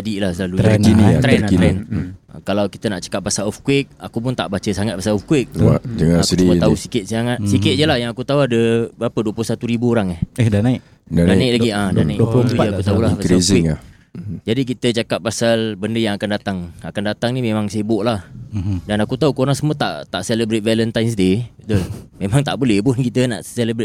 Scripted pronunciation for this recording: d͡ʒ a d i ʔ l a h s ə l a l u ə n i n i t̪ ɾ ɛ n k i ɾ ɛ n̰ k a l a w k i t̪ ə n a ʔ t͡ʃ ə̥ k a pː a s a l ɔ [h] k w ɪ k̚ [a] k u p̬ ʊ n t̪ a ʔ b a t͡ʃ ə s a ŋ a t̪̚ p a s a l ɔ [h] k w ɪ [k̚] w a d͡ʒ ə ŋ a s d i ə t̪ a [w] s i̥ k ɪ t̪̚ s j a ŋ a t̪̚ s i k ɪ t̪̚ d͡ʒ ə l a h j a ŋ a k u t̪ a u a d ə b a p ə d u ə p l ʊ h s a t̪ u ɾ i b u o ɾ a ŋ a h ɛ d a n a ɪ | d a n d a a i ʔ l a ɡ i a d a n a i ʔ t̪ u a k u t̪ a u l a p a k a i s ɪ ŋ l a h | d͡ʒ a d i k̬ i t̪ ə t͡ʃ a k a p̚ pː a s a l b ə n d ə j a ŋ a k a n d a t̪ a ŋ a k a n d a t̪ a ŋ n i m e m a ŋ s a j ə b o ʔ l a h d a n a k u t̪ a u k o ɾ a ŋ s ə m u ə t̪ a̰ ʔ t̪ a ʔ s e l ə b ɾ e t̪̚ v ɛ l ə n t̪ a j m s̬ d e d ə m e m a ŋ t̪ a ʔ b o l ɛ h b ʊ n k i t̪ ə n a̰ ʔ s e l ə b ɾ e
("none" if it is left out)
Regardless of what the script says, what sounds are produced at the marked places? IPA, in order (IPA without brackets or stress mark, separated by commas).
f, a, f, k̚, u